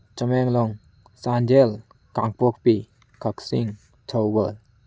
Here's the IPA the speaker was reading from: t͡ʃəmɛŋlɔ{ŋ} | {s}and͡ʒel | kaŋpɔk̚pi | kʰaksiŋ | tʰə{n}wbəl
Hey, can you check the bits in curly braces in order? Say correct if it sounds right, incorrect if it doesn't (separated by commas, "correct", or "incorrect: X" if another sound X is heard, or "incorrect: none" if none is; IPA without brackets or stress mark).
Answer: correct, correct, incorrect: none